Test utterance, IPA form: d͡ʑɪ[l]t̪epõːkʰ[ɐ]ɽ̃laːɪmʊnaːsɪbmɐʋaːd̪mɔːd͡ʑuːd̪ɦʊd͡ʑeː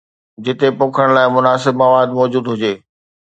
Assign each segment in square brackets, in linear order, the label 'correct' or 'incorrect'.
incorrect, incorrect

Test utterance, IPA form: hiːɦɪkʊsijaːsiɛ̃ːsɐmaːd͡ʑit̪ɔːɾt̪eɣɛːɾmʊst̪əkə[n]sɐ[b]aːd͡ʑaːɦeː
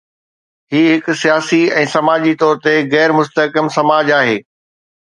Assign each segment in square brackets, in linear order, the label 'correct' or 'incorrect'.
incorrect, incorrect

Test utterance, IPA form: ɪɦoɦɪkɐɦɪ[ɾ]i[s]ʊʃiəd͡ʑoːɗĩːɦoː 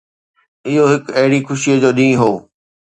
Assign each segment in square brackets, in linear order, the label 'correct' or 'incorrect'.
incorrect, incorrect

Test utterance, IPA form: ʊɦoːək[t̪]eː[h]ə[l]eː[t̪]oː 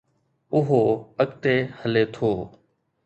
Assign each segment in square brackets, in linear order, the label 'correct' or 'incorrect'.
correct, correct, correct, incorrect

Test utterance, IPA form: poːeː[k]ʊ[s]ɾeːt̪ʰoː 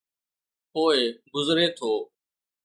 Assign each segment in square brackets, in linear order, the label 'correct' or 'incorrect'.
incorrect, incorrect

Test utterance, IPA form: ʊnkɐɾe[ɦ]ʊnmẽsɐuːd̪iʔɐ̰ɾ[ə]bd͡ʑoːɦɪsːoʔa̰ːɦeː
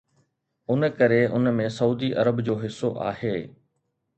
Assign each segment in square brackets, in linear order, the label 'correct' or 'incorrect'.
incorrect, correct

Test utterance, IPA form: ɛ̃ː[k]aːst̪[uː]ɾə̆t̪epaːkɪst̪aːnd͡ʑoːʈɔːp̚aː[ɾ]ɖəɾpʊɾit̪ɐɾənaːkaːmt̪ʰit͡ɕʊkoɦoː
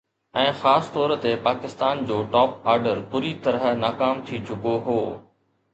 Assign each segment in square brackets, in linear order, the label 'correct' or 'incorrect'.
incorrect, incorrect, correct

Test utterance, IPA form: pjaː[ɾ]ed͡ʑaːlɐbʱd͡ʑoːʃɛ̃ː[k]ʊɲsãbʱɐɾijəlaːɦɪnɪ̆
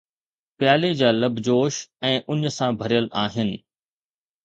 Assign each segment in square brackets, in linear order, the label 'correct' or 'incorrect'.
incorrect, incorrect

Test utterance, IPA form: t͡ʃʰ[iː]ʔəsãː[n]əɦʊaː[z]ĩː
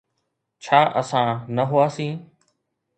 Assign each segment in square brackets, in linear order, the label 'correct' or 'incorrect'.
incorrect, correct, incorrect

